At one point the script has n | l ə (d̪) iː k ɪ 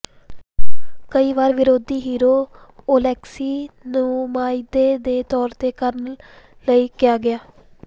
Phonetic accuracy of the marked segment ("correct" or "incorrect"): incorrect